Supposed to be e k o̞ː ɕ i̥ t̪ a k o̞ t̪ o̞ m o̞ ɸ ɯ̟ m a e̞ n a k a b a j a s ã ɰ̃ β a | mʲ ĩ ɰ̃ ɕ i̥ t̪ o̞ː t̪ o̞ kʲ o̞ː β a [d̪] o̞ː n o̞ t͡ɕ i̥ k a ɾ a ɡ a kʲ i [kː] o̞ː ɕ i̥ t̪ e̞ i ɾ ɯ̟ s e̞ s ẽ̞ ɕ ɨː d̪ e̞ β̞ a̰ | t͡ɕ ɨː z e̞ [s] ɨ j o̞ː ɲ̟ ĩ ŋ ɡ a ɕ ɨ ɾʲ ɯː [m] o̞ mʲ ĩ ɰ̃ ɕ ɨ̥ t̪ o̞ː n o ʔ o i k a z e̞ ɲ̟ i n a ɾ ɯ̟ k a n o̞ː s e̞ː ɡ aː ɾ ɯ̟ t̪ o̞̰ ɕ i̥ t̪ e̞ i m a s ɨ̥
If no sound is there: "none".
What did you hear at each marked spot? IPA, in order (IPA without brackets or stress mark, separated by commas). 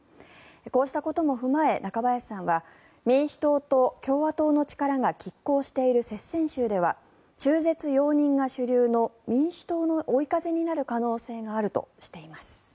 t̪, kː, t͡s, n